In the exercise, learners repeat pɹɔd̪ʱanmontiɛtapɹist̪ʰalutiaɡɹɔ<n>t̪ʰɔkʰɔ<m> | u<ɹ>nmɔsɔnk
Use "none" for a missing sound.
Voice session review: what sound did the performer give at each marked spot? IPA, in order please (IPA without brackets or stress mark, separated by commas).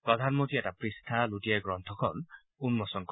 n, n, none